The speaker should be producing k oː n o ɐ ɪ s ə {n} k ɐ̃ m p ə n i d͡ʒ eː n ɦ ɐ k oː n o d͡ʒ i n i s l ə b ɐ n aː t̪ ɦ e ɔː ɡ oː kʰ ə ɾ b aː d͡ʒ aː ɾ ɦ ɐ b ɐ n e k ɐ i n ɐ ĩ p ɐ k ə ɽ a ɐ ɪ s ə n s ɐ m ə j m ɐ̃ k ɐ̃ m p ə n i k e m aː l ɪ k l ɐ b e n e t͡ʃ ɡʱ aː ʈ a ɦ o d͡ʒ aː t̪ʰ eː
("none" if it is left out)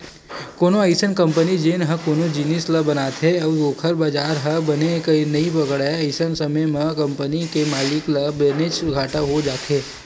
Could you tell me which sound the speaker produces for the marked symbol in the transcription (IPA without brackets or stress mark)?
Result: n